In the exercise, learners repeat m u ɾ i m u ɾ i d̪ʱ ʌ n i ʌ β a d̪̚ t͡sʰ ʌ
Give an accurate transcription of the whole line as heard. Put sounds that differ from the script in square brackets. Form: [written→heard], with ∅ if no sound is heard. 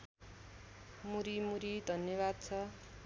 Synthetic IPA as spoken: m u ɾ i m u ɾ i d̪ʱ ʌ n [i→j] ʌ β a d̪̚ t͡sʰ ʌ